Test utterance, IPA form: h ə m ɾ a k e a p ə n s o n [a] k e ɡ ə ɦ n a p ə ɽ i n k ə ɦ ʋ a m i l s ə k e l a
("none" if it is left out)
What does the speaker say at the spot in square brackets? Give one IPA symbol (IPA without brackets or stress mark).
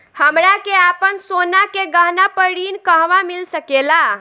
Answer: a